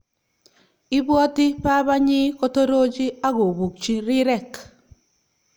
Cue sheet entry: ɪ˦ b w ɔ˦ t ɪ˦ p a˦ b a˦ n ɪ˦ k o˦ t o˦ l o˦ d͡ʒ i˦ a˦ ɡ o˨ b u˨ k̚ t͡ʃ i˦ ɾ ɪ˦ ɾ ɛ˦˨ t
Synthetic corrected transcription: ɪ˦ b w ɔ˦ t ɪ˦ p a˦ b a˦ ɲ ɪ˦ k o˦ t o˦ ɾ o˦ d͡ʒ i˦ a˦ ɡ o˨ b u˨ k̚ t͡ʃ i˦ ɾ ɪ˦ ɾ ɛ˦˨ k

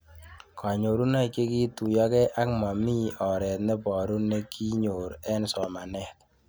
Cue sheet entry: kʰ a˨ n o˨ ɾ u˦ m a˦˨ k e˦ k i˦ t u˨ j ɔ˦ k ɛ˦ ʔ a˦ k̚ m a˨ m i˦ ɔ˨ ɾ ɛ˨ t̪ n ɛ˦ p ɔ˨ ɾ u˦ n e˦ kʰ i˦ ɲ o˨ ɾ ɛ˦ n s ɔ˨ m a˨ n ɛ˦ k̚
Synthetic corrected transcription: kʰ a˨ ɲ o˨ ɾ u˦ n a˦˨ k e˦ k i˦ t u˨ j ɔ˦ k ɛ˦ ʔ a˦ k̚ m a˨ m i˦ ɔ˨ ɾ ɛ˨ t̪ n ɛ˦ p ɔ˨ ɾ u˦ n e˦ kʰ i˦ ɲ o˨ ɾ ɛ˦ n s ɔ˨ m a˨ n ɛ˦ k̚

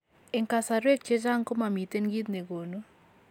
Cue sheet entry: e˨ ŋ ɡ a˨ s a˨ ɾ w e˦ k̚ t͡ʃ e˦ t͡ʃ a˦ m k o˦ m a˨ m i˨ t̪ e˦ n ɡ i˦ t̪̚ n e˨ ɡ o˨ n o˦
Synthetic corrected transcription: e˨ ŋ k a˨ s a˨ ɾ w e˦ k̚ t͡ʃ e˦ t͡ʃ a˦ ŋ k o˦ m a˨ m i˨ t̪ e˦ n ɡ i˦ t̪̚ n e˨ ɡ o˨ n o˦

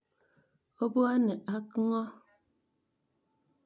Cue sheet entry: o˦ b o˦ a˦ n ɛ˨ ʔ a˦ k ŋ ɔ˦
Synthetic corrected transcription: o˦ b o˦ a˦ n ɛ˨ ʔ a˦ k ŋ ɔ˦

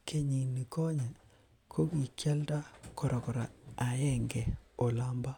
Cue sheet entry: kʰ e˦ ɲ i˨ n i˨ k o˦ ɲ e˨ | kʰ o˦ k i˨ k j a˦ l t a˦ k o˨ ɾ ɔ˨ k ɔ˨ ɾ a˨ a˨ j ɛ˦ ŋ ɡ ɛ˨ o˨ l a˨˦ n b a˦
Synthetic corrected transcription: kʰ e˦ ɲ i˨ n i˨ k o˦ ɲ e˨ | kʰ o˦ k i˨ k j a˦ l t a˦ k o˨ ɾ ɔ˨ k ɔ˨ ɾ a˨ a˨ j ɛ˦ ŋ ɡ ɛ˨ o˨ l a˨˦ m b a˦

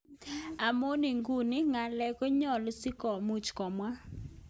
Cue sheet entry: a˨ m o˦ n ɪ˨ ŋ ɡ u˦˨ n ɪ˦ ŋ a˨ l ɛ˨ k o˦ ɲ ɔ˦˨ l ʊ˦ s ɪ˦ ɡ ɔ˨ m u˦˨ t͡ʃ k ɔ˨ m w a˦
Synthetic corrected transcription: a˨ m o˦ n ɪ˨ ŋ ɡ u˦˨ n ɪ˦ ŋ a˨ l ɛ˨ k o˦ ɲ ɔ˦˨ l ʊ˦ s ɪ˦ k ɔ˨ m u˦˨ t͡ʃ k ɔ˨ m w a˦

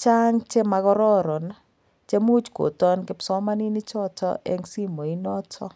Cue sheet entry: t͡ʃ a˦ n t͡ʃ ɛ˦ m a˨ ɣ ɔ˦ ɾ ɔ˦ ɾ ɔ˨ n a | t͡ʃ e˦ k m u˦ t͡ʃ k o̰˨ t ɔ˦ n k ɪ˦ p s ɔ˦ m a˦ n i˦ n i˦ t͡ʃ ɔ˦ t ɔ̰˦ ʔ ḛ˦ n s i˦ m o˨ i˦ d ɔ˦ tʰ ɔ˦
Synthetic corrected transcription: t͡ʃ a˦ ŋ t͡ʃ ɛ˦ m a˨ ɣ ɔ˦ ɾ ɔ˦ ɾ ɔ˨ n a | t͡ʃ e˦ m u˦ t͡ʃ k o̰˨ t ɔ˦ n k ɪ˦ p s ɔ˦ m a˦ n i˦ n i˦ t͡ʃ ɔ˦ t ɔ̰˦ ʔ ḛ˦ ŋ s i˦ m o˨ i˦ n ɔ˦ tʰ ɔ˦

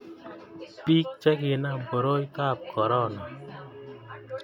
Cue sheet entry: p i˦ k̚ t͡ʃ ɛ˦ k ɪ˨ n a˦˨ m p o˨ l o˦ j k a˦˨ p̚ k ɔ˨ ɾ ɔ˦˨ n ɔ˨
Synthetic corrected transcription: p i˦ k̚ t͡ʃ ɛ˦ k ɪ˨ n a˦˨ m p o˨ ɾ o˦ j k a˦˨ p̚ k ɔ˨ ɾ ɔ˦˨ n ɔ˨

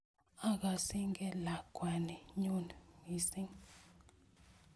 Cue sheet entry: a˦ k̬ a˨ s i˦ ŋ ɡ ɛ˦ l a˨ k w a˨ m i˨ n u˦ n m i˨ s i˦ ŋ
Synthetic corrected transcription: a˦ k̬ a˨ s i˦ ŋ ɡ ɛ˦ l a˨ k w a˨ n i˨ ɲ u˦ n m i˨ s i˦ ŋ

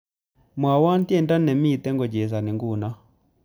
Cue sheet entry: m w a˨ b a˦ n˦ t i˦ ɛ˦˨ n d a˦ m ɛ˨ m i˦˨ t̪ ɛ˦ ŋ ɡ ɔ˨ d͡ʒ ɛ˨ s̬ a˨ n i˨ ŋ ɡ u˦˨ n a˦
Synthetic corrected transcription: m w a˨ w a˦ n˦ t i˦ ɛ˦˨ n d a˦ n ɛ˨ m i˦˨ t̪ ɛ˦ ŋ ɡ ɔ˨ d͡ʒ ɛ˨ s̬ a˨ n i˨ ŋ ɡ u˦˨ n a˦

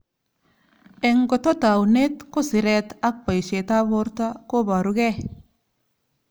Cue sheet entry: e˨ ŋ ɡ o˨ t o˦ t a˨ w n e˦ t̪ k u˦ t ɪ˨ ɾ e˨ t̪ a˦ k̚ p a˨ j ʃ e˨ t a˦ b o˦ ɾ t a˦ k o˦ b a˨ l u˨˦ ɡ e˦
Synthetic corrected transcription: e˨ ŋ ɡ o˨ t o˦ t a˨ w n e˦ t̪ k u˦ s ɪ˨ ɾ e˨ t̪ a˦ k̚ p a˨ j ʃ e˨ t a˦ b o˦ ɾ t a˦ k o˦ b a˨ ɾ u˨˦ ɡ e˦

